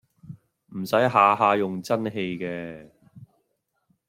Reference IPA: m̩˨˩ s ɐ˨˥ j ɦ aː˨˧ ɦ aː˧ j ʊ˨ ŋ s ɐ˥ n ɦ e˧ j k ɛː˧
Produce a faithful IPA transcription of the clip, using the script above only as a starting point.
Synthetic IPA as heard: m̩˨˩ s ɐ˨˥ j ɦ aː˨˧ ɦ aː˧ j ʊ˨ ŋ t͡s ɐ˥ n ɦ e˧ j k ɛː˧